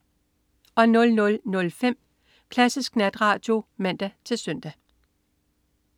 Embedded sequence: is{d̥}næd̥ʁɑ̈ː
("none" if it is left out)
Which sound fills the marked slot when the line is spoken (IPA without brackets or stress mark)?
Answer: ɡ̥